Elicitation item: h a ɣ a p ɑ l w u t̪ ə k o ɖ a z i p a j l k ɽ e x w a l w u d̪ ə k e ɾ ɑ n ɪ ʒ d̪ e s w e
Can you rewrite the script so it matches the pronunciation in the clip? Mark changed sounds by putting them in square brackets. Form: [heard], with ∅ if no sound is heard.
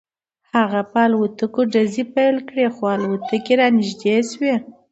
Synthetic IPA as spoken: h a ɣ a p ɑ l w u t̪ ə k o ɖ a z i p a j l k ɽ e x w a l w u [t̪] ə k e ɾ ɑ n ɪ ʒ d̪ e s w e